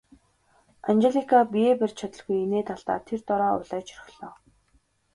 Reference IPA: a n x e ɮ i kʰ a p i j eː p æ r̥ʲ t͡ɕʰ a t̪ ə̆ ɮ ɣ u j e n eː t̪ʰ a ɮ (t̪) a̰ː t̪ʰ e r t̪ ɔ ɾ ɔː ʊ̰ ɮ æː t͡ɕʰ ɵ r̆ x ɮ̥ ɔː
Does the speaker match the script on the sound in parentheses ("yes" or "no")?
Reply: yes